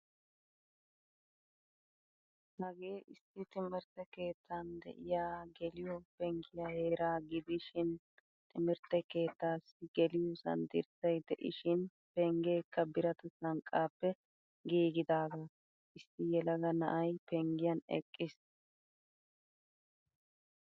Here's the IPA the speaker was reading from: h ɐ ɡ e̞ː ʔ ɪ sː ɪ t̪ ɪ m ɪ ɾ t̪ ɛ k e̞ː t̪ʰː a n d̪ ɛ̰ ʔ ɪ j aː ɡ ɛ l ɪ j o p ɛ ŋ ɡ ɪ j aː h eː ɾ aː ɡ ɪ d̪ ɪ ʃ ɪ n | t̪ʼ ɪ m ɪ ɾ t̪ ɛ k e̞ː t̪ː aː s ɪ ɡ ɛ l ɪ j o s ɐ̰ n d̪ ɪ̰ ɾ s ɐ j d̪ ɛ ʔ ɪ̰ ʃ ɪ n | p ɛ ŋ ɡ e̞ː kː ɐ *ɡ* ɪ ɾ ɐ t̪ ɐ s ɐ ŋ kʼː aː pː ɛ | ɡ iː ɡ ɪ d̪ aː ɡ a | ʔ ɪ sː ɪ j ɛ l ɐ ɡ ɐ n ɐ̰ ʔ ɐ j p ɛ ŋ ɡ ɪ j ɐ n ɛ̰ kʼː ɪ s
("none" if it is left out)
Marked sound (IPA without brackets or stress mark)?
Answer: b